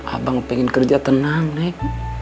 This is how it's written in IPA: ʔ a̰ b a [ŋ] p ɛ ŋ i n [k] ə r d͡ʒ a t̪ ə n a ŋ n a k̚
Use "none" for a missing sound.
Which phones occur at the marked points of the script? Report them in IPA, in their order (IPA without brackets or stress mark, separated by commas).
ŋ, k